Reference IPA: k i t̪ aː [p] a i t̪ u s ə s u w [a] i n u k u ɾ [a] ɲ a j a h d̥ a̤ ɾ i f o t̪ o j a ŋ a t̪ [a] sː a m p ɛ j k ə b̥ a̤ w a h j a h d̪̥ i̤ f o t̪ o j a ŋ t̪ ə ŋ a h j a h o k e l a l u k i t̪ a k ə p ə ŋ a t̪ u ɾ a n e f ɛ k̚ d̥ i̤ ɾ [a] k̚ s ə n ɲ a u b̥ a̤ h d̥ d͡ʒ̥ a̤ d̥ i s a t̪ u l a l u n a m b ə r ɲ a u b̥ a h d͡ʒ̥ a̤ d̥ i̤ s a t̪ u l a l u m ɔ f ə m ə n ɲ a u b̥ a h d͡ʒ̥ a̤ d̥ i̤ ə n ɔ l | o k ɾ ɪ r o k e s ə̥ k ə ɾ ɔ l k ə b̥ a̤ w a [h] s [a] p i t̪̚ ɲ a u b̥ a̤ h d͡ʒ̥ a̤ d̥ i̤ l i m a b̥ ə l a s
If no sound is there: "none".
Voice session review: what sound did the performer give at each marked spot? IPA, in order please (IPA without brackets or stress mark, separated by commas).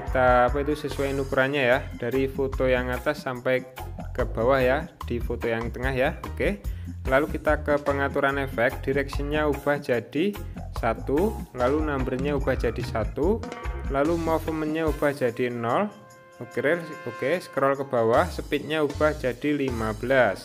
p, a, a, a, ɛ, h, ə